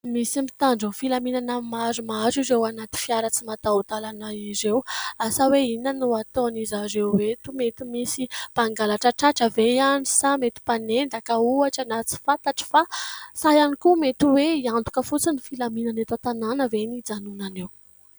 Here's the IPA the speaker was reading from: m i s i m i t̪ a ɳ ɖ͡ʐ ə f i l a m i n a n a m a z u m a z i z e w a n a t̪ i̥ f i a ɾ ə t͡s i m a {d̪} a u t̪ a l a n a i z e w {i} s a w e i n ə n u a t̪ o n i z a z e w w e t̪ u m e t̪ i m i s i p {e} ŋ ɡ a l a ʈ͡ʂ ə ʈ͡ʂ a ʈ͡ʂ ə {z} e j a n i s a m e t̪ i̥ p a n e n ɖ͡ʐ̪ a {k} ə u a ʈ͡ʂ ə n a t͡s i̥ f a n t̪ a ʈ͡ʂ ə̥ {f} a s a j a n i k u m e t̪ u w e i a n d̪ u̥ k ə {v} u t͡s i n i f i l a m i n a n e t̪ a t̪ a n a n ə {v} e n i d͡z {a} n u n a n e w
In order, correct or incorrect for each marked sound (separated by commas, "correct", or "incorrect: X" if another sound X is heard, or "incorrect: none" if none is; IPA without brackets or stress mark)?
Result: incorrect: t̪, incorrect: a, incorrect: a, incorrect: v, correct, correct, incorrect: f, correct, correct